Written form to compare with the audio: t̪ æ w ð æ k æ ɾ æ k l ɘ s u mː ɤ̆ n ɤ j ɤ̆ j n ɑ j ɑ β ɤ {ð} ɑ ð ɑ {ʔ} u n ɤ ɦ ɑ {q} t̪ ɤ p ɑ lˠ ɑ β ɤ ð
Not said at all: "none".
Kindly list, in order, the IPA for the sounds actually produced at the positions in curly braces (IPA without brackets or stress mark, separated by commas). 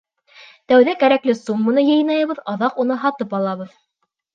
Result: ð, q, none